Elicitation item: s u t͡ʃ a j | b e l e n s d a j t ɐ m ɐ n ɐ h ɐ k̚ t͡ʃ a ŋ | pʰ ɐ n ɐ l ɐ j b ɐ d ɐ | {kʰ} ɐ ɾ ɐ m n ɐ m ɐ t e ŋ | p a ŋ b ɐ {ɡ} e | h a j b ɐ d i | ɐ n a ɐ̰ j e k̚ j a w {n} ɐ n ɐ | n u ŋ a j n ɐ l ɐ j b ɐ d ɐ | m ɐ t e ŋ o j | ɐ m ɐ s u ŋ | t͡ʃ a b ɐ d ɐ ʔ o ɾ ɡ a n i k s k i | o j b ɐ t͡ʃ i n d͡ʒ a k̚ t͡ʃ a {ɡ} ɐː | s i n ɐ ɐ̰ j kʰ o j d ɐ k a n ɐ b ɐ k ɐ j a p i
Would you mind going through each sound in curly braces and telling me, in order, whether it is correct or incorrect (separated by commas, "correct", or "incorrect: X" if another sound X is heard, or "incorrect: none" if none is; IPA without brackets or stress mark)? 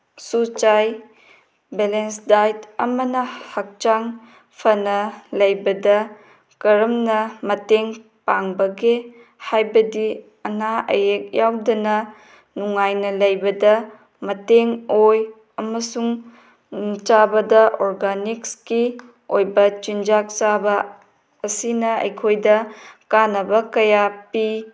incorrect: k, correct, incorrect: d, incorrect: b